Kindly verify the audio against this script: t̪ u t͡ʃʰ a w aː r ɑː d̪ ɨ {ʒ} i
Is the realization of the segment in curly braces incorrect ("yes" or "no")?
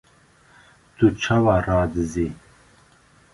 yes